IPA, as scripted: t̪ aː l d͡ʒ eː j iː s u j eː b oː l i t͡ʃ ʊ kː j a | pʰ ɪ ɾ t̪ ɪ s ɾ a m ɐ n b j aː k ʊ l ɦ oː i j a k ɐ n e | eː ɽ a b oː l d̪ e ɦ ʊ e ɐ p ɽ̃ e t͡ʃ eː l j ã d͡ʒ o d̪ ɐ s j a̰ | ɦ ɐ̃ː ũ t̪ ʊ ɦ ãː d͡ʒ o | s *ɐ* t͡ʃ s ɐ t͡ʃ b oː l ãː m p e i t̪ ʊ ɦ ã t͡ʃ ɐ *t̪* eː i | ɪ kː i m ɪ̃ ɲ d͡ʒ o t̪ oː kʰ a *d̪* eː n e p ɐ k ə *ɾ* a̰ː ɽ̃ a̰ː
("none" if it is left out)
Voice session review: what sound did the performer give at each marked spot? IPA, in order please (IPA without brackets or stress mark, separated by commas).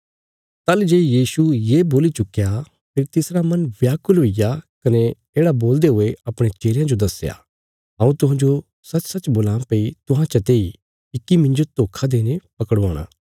ɐ, t̪, d̪, ɽ